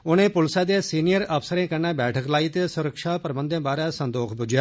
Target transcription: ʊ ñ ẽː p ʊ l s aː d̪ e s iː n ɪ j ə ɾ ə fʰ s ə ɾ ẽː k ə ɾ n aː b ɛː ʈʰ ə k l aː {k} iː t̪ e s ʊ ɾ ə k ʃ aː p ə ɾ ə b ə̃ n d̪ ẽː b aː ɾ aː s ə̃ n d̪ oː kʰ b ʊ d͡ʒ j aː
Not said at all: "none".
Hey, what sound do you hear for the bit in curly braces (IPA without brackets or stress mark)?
none